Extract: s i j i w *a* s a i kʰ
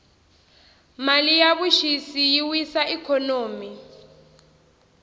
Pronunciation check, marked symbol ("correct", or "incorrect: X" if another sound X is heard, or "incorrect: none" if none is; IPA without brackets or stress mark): incorrect: i